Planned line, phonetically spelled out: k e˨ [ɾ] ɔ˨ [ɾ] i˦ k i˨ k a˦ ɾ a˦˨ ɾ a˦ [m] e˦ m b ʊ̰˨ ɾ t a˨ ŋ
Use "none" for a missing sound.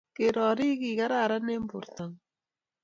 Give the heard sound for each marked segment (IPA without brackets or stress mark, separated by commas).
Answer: ɾ, ɾ, n